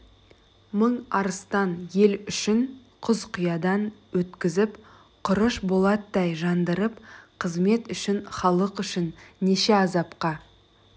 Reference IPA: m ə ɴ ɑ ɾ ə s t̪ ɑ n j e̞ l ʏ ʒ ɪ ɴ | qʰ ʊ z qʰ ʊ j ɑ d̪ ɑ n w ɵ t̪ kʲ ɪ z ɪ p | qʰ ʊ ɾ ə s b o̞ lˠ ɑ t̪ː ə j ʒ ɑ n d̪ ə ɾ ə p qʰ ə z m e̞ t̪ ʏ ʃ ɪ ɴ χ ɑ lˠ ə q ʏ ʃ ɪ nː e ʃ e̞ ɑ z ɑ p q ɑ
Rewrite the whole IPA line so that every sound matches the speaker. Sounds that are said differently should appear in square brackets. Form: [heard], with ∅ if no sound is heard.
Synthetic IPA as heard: m ə ɴ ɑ ɾ ə s t̪ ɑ n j e̞ l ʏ [ʃ] ɪ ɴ | qʰ ʊ z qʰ ʊ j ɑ d̪ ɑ n w ɵ t̪ kʲ ɪ z ɪ p | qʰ ʊ ɾ ə [ʃ] b o̞ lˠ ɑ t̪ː [ɑ] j ʒ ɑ n d̪ ə ɾ ə p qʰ ə z m e̞ t̪ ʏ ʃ ɪ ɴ χ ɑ lˠ ə q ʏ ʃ ɪ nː e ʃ e̞ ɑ z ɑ p q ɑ

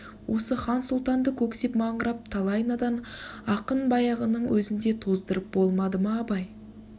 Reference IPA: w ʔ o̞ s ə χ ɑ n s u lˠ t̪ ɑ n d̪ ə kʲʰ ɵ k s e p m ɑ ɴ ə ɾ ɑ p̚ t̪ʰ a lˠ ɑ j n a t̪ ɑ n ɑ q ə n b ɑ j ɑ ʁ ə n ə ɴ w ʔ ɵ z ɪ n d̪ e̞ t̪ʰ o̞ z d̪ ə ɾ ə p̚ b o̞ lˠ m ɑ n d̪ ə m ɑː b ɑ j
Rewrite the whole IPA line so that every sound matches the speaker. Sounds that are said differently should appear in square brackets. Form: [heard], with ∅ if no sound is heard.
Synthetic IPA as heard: w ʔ o̞ s ə χ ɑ n s u lˠ t̪ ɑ n d̪ ə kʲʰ ɵ k s e p m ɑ ɴ ə ɾ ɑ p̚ t̪ʰ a lˠ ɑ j n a [d̪] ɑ n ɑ q ə n b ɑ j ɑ ʁ ə n ə ɴ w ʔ ɵ z ɪ n d̪ e̞ t̪ʰ o̞ z d̪ ə ɾ ə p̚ b o̞ lˠ m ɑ [∅] d̪ ə m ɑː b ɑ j

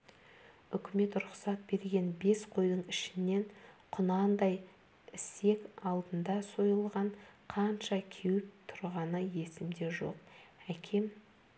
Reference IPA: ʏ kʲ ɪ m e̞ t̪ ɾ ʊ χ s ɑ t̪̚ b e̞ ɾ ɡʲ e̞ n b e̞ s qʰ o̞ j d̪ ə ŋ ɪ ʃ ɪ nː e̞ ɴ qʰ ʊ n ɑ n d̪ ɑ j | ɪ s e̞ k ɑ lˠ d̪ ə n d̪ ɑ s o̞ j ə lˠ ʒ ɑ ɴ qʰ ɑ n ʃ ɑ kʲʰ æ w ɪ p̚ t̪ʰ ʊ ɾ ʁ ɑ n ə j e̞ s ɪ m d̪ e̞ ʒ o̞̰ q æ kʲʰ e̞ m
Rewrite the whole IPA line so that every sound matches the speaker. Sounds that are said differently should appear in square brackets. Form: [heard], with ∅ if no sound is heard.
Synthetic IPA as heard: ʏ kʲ ɪ m e̞ t̪ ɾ ʊ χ s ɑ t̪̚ b e̞ ɾ ɡʲ e̞ n b e̞ s qʰ o̞ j d̪ ə [ɴ] ɪ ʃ ɪ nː e̞ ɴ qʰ ʊ n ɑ n d̪ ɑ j | ɪ s e̞ k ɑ lˠ d̪ ə n d̪ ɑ s o̞ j ə lˠ [ʁ] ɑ ɴ qʰ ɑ n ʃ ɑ kʲʰ [e] w ɪ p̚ t̪ʰ ʊ ɾ ʁ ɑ n ə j e̞ s ɪ m d̪ e̞ ʒ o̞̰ q æ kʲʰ e̞ m

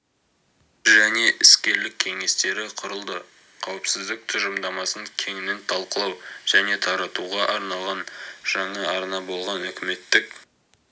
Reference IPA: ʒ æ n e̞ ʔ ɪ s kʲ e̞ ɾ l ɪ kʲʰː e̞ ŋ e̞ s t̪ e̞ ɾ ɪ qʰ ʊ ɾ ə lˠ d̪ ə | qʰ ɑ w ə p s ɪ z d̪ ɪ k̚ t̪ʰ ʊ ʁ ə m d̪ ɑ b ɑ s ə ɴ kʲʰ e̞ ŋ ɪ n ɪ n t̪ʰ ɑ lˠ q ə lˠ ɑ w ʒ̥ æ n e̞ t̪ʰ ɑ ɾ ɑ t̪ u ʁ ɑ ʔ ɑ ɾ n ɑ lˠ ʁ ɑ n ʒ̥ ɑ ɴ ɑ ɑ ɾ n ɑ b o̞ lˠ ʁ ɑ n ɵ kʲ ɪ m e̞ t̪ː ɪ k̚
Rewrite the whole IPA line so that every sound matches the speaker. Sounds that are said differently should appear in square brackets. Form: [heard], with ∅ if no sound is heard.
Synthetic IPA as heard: ʒ æ n e̞ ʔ ɪ s kʲ e̞ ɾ l ɪ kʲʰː e̞ ŋ e̞ s t̪ e̞ ɾ ɪ qʰ ʊ ɾ ə lˠ d̪ ə | qʰ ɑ w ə p s ɪ z d̪ ɪ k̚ t̪ʰ ʊ [ʒ] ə m d̪ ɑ [m] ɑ s ə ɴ kʲʰ e̞ ŋ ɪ n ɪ n t̪ʰ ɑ lˠ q ə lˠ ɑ w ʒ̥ æ n e̞ t̪ʰ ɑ ɾ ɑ t̪ u ʁ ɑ ʔ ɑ ɾ n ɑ lˠ ʁ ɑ n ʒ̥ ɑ ɴ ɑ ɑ ɾ n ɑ b o̞ lˠ ʁ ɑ n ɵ kʲ ɪ m e̞ t̪ː ɪ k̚

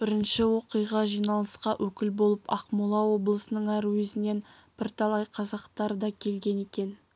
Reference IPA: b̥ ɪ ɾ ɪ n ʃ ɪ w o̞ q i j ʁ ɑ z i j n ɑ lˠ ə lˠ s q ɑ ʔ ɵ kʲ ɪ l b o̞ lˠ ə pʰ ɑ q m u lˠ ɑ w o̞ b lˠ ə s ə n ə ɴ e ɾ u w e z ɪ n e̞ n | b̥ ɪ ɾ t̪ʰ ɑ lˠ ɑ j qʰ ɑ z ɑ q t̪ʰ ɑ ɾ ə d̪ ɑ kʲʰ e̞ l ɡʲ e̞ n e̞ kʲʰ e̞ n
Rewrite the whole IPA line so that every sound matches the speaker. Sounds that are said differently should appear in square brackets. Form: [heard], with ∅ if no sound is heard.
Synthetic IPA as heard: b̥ ɪ ɾ ɪ n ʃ ɪ w o̞ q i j ʁ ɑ [ʒ] i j n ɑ lˠ ə [∅] s q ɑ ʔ ɵ kʲ ɪ l b o̞ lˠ ə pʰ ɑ q m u lˠ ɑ w o̞ b lˠ ə s ə n ə ɴ [æ] ɾ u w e z ɪ n e̞ n | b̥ ɪ ɾ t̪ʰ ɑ lˠ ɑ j qʰ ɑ z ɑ q [t̪] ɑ ɾ ə d̪ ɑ kʲʰ e̞ l ɡʲ e̞ n e̞ [kʲ] e̞ n

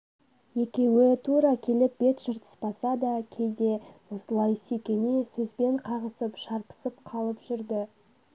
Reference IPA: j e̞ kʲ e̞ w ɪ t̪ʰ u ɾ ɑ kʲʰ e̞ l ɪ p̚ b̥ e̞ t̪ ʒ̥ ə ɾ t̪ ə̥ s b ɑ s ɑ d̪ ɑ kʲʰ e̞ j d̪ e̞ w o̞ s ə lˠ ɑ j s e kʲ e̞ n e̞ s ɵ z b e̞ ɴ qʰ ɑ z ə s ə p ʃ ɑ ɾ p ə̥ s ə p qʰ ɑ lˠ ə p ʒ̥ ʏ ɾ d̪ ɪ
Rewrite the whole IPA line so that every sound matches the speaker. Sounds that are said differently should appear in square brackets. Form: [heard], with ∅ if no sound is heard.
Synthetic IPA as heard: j e̞ kʲ e̞ w ɪ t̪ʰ u ɾ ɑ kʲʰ e̞ l ɪ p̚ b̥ e̞ t̪ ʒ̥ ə ɾ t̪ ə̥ s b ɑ s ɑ d̪ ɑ kʲʰ e̞ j d̪ e̞ w o̞ s ə lˠ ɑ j s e kʲ e̞ n e̞ s ɵ z b e̞ ɴ qʰ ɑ [ʁ] ə s ə p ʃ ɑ ɾ p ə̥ s ə p qʰ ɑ lˠ ə p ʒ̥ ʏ ɾ d̪ ɪ

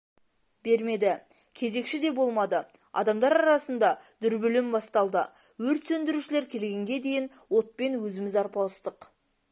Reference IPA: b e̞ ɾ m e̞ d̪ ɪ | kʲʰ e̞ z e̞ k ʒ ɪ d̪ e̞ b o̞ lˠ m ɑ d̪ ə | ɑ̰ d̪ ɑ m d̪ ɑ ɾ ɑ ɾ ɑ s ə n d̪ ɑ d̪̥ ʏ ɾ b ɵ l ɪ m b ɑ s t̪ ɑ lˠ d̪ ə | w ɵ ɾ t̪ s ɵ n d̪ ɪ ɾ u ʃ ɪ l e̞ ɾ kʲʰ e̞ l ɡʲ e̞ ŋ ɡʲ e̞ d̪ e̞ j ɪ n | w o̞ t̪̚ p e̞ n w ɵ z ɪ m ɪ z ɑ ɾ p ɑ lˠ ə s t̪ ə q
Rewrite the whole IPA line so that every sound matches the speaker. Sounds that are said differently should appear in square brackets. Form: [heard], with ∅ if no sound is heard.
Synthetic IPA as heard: b e̞ ɾ m e̞ d̪ ɪ | kʲʰ e̞ z e̞ k [ʃ] ɪ d̪ e̞ b o̞ lˠ m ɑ d̪ ə | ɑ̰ d̪ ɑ m d̪ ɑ ɾ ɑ ɾ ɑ s ə n d̪ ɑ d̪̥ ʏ ɾ b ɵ l ɪ m b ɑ s t̪ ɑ lˠ d̪ ə | w ɵ ɾ t̪ s ɵ n d̪ ɪ ɾ u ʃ ɪ l e̞ ɾ kʲʰ e̞ l ɡʲ e̞ ŋ ɡʲ e̞ d̪ e̞ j ɪ n | w o̞ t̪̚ p e̞ n w ɵ z ɪ m ɪ z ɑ ɾ p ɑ lˠ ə s t̪ ə q

